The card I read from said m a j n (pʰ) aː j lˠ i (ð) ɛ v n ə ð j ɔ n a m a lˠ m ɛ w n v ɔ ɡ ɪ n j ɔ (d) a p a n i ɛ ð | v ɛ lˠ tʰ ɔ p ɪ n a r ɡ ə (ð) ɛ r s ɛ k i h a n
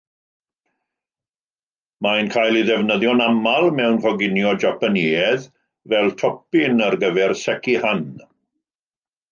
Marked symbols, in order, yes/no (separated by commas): no, yes, no, no